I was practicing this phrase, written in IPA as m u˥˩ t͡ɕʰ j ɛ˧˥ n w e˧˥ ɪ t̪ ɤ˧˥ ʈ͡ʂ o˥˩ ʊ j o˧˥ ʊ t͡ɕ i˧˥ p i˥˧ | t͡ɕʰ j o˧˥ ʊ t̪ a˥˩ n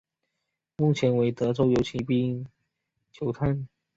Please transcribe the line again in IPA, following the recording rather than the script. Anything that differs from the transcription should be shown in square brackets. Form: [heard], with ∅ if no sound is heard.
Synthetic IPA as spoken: m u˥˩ t͡ɕʰ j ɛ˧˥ n w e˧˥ ɪ t̪ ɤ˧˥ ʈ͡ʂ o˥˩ ʊ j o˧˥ ʊ [t͡ɕʰ] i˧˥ p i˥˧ | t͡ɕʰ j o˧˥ ʊ [t̪ʰ] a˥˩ n